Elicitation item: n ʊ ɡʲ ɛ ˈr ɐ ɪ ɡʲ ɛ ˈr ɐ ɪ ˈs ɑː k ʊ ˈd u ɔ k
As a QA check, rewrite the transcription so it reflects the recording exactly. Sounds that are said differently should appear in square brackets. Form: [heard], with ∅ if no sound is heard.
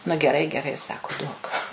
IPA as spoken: n ʊ ɡʲ ɛ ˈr ɐ ɪ ɡʲ ɛ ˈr ɐ ɪ ˈs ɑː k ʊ ˈd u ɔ k

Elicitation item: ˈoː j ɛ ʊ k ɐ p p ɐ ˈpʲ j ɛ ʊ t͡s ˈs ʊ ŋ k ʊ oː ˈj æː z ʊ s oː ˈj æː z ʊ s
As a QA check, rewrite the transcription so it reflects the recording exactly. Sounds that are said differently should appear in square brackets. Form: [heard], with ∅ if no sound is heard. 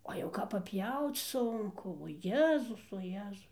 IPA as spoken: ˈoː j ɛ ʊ k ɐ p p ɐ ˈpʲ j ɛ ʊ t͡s ˈs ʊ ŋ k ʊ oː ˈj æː z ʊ s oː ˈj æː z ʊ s

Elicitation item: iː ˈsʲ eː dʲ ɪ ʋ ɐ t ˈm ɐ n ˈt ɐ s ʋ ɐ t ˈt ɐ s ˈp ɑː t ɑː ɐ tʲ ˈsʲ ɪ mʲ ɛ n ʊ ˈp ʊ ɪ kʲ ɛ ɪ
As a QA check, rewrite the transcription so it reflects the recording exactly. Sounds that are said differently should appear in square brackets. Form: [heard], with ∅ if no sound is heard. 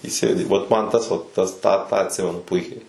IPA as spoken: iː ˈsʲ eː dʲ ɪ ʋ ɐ t ˈm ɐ n ˈt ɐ s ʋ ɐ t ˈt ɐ s [ˈt] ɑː t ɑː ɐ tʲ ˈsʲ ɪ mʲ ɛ n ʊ ˈp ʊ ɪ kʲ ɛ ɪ

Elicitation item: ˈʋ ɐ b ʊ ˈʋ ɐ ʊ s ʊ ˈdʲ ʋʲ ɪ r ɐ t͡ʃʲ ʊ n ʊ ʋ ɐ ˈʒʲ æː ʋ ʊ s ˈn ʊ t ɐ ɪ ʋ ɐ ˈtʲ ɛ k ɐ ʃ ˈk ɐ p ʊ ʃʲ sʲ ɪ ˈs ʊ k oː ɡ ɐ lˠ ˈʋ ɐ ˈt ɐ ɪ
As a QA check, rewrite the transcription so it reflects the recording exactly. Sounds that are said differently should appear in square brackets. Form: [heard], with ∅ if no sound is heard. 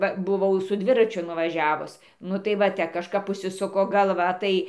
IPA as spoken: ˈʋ ɐ b ʊ ˈʋ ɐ ʊ s ʊ ˈdʲ ʋʲ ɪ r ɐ t͡ʃʲ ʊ n ʊ ʋ ɐ ˈʒʲ æː ʋ ʊ s ˈn ʊ t ɐ ɪ ʋ ɐ ˈtʲ ɛ k ɐ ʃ ˈk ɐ p ʊ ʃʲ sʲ ɪ ˈs ʊ k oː ɡ ɐ lˠ ˈʋ ɐ ˈt ɐ ɪ

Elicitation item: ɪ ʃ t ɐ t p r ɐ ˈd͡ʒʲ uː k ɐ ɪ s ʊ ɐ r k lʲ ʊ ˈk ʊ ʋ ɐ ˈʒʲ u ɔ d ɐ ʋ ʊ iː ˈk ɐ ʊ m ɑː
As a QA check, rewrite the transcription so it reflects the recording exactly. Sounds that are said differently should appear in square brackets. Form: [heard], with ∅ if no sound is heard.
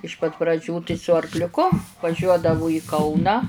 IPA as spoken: ɪ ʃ [p] ɐ t p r ɐ ˈd͡ʒʲ uː [t] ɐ ɪ s ʊ ɐ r k lʲ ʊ ˈk ʊ ʋ ɐ ˈʒʲ u ɔ d ɐ ʋ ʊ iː ˈk ɐ ʊ [n] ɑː

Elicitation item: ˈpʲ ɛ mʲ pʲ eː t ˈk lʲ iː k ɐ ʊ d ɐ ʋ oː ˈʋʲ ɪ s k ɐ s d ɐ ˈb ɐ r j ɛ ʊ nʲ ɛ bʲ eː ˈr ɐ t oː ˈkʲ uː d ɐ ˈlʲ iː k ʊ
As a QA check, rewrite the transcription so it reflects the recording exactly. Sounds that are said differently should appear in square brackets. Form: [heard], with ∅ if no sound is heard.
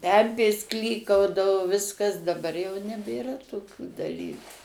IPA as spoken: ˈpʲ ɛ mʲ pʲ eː [s] ˈk lʲ iː k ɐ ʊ d ɐ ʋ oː ˈʋʲ ɪ s k ɐ s d ɐ ˈb ɐ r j ɛ ʊ nʲ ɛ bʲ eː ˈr ɐ t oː ˈkʲ uː d ɐ ˈlʲ iː k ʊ

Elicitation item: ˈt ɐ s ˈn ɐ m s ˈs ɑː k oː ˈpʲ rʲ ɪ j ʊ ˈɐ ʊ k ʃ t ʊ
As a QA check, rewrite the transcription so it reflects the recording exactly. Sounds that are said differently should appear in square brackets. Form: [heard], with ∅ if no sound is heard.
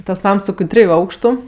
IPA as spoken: ˈt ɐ s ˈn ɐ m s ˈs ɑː k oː [ˈtʲ] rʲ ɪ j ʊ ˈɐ ʊ k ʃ t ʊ

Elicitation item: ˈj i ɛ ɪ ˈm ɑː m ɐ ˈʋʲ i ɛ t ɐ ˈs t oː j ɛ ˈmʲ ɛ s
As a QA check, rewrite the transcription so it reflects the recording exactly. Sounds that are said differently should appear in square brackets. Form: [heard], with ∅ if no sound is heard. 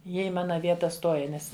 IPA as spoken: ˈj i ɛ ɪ ˈm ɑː [n] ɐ ˈʋʲ i ɛ t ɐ ˈs t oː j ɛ [ˈnʲ] ɛ s

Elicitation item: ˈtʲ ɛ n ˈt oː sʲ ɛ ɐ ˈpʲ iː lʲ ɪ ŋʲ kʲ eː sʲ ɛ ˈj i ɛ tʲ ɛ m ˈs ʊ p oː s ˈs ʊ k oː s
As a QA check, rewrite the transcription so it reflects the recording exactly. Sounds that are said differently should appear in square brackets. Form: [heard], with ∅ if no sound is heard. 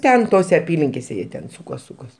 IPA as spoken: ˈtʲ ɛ n ˈt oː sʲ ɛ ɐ ˈpʲ iː lʲ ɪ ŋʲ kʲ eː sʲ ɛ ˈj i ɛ tʲ ɛ [n] ˈs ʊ [k] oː s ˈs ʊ k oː s

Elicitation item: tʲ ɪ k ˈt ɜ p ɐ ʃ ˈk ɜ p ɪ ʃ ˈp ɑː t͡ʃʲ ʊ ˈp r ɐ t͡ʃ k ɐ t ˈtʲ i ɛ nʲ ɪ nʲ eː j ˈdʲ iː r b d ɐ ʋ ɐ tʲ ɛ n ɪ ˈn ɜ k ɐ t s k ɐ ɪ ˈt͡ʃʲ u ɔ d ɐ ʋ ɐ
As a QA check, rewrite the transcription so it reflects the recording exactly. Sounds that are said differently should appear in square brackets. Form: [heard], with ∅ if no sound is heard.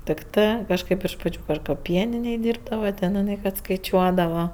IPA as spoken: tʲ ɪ k ˈt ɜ [k] ɐ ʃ ˈk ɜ p ɪ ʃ ˈp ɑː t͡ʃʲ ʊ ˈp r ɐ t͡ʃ k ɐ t [ˈpʲ] i ɛ nʲ ɪ nʲ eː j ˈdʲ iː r b d ɐ ʋ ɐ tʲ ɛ n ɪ ˈn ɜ k ɐ t s k ɐ ɪ ˈt͡ʃʲ u ɔ d ɐ ʋ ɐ

